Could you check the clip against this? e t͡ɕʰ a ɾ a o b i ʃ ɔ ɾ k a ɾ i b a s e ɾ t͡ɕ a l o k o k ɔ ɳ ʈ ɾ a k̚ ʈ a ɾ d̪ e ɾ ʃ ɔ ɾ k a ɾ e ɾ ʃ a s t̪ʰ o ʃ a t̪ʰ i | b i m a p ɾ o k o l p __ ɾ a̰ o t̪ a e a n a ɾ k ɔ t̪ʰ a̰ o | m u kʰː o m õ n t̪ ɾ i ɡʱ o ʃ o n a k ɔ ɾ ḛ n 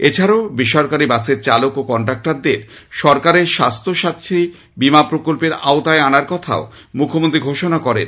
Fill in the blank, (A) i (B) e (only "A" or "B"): B